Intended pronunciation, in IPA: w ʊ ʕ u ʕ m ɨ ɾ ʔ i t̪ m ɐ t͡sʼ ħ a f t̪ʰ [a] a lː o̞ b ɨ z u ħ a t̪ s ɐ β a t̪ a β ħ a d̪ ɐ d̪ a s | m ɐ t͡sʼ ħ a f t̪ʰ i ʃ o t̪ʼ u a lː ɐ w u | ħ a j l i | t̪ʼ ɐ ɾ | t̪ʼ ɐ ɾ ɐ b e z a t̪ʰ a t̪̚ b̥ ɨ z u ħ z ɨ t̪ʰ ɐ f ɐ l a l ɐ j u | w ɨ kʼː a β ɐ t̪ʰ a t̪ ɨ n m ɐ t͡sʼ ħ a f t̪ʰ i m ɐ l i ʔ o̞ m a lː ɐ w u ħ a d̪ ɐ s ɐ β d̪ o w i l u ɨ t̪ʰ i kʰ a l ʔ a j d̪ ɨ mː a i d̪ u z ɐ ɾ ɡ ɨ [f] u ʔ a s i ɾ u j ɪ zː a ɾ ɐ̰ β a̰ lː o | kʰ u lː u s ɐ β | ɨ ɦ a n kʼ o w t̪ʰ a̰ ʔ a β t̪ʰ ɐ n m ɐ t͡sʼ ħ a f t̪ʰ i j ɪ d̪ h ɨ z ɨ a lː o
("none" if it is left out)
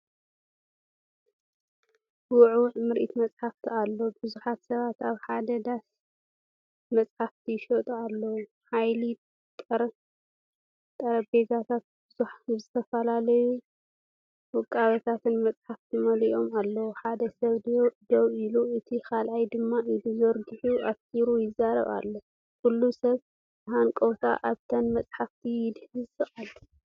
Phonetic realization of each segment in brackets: i, ħ

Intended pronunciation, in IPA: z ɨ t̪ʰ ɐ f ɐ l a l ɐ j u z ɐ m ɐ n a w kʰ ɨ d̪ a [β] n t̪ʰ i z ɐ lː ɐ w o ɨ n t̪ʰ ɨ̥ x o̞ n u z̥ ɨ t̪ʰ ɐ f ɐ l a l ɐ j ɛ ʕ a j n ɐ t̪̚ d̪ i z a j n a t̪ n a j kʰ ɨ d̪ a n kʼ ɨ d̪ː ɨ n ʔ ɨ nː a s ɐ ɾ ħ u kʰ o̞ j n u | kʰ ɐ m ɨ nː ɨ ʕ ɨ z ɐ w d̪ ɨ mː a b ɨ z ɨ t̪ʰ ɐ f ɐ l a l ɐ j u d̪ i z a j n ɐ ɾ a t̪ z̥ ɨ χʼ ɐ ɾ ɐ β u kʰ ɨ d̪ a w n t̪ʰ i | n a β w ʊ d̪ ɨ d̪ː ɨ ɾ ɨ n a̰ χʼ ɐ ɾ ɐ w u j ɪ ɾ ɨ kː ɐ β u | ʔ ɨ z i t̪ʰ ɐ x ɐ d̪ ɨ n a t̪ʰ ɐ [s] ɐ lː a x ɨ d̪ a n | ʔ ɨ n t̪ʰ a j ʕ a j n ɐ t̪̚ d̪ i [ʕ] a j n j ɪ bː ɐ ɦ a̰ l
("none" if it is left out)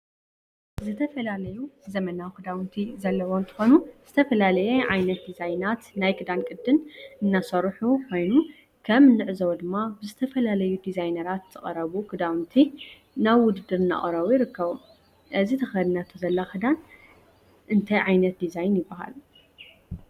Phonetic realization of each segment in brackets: w, z, z

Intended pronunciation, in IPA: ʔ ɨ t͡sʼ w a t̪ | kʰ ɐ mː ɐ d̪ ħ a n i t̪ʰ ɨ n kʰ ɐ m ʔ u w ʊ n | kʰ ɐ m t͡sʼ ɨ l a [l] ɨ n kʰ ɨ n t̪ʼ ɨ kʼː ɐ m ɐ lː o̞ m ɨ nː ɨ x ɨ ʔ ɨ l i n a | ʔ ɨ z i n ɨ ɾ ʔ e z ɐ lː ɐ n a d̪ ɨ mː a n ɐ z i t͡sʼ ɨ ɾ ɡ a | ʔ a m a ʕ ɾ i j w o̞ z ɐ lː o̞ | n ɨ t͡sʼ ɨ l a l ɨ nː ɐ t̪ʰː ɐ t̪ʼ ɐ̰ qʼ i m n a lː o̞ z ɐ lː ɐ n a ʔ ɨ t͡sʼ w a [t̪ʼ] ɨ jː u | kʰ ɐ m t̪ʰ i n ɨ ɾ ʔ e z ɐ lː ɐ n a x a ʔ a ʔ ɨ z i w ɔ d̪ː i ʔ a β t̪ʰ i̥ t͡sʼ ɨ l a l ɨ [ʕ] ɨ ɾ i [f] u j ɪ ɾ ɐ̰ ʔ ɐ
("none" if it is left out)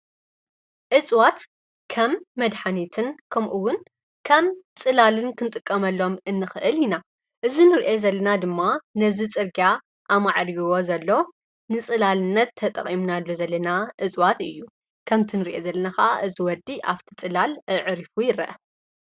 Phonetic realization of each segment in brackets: l, t̪, ʕ, f

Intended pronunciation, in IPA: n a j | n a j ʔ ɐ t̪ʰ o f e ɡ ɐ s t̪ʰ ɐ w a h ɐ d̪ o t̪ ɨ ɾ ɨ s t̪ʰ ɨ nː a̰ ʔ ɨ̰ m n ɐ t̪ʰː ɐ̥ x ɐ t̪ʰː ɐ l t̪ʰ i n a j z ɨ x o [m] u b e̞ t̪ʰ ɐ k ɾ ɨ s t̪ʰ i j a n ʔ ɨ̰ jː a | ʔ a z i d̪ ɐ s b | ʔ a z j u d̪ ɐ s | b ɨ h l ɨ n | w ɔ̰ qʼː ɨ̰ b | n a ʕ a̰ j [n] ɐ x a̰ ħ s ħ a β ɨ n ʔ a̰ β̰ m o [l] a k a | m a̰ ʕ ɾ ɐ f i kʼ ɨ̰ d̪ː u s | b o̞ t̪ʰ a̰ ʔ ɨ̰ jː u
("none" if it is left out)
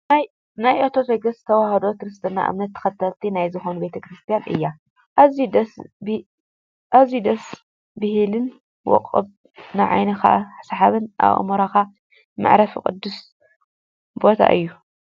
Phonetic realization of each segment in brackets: n, n, ɾ

